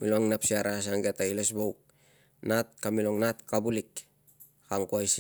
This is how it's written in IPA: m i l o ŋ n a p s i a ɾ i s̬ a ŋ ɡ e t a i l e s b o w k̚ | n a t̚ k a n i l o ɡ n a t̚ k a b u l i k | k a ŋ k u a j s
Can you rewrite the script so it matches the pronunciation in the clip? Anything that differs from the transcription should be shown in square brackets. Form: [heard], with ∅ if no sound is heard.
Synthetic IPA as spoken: m i l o ŋ n a p s i a ɾ [a] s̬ a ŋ ɡ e t a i l e s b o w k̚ | n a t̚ k a [m] i l o [ŋ] n a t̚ k a b u l i k | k a ŋ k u a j s